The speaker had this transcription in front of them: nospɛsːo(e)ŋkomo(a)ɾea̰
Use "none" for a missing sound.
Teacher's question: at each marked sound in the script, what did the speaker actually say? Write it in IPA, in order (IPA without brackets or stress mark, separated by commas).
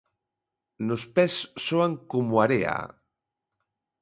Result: a, a